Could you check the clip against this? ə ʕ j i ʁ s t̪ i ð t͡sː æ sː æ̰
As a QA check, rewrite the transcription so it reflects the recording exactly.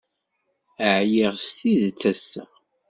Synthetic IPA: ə ʕ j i ʁ s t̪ i ð t͡sː æ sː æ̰

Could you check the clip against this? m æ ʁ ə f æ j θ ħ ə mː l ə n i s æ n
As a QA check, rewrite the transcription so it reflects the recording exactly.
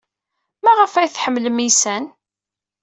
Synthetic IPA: m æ ʁ ə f æ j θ ħ ə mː l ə m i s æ n

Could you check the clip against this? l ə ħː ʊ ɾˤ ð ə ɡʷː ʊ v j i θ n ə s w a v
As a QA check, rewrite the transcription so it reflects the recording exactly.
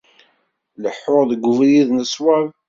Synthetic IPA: l ə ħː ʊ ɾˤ ð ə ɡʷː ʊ v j i ð n ə s w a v

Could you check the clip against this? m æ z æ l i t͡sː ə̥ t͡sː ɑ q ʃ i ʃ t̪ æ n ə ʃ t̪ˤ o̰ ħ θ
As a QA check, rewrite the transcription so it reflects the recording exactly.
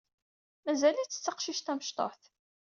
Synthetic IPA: m æ z æ l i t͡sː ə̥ t͡sː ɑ q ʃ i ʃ t̪ æ m ə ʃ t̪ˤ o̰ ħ θ

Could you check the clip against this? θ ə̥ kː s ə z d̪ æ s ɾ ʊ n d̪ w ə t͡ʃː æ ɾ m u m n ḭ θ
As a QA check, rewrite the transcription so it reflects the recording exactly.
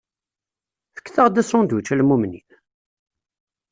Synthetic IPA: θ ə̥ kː θ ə ʁ d̪ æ s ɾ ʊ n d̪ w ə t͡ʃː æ l m u m n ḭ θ

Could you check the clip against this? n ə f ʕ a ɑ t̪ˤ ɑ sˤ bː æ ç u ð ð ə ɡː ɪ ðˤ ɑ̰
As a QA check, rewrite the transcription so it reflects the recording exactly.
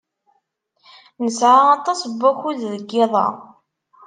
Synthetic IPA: n ə s ʕ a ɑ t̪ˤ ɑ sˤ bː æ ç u ð ð ə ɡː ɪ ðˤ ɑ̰

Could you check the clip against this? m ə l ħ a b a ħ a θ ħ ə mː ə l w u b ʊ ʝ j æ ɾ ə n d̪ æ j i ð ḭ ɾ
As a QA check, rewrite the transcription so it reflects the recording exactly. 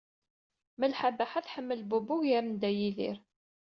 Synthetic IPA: m ə l ħ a b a ħ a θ ħ ə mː ə l b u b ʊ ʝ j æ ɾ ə n d̪ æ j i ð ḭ ɾ

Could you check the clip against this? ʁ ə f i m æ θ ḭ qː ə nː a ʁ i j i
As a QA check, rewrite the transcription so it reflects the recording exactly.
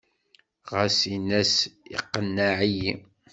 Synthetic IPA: ʁ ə s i n æ s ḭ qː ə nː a ʕ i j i

